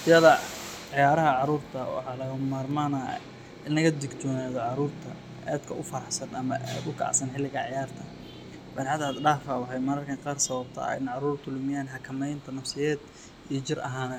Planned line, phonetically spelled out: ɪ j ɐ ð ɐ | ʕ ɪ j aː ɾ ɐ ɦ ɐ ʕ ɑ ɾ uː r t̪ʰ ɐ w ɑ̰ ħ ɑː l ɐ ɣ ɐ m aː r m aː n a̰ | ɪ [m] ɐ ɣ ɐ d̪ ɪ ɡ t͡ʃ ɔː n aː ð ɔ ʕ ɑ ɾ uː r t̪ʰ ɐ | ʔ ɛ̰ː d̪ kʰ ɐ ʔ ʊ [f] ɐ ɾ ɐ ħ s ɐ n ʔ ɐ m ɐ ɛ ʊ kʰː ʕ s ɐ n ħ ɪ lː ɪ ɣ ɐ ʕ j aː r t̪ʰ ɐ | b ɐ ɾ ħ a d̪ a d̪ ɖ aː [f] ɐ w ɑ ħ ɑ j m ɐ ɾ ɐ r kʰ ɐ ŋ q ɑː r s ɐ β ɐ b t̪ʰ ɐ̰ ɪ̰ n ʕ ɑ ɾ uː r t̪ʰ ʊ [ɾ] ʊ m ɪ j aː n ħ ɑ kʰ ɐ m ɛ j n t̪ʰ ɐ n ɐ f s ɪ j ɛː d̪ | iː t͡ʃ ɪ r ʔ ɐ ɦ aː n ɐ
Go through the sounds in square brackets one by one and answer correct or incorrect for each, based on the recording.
incorrect: n, correct, correct, incorrect: l

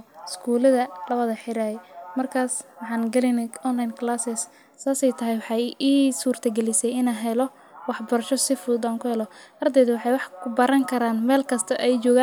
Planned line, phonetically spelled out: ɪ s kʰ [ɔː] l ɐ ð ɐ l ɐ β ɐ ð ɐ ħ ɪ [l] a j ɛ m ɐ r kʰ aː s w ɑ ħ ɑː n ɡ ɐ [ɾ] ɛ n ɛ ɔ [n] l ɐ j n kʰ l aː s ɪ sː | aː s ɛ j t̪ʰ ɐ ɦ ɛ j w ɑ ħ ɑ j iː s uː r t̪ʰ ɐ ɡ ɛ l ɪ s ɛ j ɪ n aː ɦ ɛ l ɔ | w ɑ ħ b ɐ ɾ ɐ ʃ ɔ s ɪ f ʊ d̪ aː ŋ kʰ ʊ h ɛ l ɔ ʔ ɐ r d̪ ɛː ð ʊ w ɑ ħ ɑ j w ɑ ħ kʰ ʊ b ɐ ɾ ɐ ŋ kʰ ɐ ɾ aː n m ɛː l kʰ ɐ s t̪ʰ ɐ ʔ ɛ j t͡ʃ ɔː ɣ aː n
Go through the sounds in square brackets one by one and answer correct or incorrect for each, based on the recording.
incorrect: uː, incorrect: ɾ, incorrect: l, correct

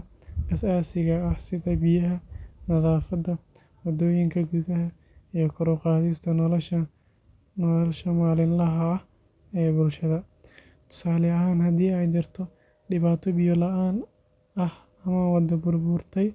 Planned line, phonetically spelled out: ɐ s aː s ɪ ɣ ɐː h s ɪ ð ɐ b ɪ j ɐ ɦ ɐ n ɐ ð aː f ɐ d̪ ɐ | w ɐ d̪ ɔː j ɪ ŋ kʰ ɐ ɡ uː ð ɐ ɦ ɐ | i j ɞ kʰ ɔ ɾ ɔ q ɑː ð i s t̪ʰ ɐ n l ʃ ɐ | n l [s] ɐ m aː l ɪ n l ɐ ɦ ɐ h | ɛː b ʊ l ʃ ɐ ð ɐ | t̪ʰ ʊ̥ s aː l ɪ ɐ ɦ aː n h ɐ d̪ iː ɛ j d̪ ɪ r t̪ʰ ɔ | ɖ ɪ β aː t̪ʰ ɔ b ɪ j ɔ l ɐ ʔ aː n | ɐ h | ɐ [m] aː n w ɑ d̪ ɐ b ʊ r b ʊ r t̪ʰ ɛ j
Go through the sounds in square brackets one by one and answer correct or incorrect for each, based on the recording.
incorrect: ʃ, correct

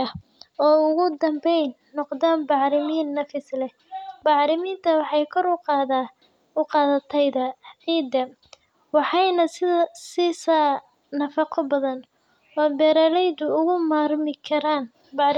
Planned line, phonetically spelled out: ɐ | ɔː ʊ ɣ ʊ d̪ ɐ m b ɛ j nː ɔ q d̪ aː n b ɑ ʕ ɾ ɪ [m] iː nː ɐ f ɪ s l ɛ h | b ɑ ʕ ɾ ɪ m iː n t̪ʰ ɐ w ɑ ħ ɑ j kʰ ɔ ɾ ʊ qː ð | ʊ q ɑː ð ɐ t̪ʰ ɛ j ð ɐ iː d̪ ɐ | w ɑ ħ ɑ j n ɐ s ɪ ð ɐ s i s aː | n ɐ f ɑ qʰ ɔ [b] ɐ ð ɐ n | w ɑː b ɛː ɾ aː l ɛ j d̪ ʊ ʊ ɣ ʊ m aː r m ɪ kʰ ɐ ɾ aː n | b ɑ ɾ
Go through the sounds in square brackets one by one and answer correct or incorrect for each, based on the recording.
correct, correct

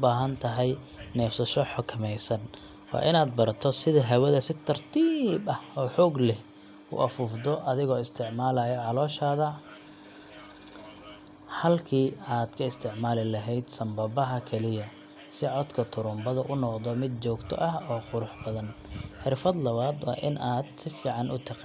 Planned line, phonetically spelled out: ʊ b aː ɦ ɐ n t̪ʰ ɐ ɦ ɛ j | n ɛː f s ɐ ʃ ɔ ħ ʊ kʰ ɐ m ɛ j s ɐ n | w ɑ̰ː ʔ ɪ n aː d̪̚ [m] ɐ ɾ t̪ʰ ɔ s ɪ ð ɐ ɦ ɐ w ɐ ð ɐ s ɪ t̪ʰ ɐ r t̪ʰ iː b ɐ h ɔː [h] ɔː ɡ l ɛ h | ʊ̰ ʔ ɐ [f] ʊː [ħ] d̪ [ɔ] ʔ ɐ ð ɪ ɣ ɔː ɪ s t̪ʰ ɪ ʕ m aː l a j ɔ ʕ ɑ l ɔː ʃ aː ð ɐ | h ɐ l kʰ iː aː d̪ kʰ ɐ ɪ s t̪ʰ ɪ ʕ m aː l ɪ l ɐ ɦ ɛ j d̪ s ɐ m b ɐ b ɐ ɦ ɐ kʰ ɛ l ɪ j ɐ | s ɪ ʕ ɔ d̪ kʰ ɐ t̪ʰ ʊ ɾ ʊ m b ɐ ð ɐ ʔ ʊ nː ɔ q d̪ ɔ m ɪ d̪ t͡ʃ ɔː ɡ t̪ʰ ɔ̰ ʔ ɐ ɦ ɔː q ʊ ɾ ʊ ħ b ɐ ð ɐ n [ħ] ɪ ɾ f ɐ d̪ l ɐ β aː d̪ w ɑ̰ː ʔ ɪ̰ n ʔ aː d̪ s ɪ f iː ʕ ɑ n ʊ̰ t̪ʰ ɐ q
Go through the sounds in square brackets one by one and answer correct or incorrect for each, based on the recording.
incorrect: b, incorrect: ħ, correct, incorrect: f, correct, correct

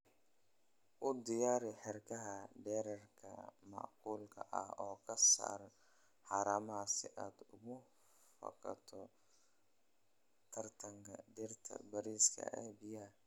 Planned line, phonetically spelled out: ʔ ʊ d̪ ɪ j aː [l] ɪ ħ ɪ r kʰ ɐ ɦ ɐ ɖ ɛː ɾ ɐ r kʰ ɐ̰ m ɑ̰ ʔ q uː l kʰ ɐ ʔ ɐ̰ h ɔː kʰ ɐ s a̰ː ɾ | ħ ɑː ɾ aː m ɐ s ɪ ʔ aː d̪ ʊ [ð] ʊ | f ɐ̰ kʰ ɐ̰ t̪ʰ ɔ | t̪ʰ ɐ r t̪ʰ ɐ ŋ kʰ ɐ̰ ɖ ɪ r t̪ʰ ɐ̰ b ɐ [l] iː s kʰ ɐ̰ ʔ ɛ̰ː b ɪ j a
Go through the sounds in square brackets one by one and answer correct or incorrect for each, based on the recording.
incorrect: ɾ, incorrect: ɣ, incorrect: ɾ

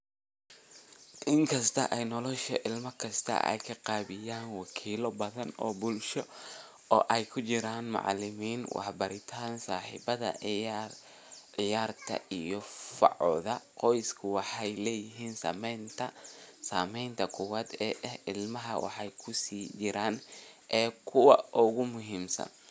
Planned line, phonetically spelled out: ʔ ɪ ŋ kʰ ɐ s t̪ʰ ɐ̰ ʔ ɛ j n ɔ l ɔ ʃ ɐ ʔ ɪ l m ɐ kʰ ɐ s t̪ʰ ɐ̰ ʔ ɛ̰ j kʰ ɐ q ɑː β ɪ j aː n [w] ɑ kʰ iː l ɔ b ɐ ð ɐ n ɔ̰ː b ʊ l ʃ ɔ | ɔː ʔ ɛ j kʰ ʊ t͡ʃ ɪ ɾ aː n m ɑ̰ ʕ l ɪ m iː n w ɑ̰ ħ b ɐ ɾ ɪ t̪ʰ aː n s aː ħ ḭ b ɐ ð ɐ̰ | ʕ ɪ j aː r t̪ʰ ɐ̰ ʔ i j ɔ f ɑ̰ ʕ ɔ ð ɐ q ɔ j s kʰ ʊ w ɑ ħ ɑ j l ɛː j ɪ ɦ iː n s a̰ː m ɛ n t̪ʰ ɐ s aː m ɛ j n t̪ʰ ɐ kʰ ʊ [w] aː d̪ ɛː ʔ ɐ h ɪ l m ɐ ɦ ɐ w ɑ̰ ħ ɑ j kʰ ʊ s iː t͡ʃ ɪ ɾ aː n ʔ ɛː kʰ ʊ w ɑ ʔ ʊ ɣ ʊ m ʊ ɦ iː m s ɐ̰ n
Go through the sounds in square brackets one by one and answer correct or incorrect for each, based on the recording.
correct, correct

